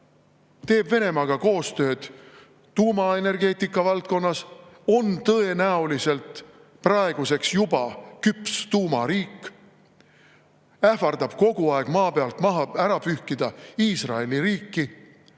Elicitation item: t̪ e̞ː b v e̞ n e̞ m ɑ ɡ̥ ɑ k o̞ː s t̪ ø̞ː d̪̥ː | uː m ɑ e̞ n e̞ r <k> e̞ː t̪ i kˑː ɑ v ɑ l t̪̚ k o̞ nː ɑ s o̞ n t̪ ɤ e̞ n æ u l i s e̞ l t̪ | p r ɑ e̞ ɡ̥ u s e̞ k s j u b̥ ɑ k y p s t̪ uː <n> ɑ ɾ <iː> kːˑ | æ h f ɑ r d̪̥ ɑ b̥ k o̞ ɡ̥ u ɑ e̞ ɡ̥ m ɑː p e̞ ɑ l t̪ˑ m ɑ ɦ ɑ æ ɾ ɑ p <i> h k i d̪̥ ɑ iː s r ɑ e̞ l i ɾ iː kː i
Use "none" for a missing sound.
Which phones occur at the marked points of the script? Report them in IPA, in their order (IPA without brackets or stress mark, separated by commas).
ɡ, m, iː, y